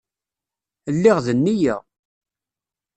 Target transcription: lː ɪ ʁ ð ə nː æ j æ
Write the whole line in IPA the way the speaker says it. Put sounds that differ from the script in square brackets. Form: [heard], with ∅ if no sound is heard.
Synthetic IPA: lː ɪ ʁ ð ə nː [i] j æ